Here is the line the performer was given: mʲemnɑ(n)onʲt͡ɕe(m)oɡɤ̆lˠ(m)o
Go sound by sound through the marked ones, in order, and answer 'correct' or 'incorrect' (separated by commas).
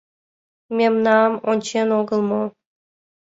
incorrect, incorrect, correct